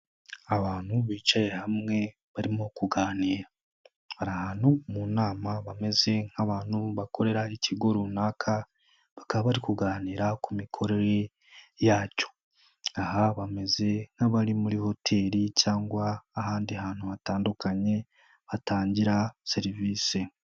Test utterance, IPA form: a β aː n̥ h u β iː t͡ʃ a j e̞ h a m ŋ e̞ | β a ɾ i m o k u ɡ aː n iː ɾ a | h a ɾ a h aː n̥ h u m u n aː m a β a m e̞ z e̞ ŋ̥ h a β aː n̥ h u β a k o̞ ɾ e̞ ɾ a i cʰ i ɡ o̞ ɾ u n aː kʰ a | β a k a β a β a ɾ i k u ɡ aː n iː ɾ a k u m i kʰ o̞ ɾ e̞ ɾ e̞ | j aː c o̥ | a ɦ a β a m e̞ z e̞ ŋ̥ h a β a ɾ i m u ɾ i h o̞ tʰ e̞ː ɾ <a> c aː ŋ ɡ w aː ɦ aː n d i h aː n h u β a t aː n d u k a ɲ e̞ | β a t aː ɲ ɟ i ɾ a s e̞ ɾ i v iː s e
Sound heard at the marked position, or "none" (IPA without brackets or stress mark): i